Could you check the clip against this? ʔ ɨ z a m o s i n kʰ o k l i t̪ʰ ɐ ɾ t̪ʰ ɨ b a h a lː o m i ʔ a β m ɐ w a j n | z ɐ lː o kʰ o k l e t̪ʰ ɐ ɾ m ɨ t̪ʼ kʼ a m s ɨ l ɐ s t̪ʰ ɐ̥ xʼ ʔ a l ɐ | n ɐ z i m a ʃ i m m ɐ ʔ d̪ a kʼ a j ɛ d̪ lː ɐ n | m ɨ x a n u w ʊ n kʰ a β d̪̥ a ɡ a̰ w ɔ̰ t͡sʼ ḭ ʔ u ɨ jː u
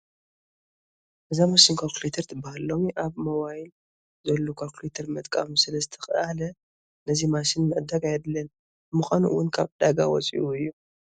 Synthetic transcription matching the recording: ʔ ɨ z a m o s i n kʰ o k l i t̪ʰ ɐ ɾ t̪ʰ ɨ b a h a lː o m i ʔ a β m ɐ w a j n | z ɐ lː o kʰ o k l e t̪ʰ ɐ ɾ m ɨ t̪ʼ kʼ a m s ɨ l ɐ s t̪ʰ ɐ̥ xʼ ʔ a l ɐ | n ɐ z i m a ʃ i n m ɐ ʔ d̪ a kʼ a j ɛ d̪ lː ɐ n | m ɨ x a n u w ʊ n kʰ a β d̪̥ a ɡ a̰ w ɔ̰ t͡sʼ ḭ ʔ u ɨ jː u